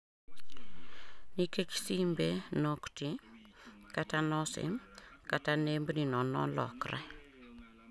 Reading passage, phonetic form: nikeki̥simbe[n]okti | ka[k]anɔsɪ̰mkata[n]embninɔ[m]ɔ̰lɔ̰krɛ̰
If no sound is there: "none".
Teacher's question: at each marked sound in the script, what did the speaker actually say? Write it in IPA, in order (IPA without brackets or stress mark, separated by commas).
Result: n, t, n, n